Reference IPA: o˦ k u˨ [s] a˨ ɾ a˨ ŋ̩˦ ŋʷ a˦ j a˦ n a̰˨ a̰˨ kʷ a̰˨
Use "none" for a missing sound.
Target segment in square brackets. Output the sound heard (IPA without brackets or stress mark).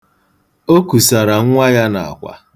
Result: s